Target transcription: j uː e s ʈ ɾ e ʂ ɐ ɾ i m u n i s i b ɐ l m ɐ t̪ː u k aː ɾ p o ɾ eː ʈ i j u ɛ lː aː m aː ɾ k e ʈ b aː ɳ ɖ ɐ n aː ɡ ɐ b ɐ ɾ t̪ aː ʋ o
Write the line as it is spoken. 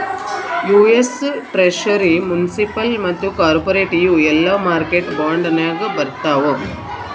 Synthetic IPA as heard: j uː e s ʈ ɾ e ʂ ɐ ɾ i m u n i s i p ɐ l m ɐ t̪ː u k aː ɾ p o ɾ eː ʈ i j u ɛ lː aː m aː ɾ k e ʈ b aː ɳ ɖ ɐ n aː ɡ ɐ b ɐ ɾ t̪ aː ʋ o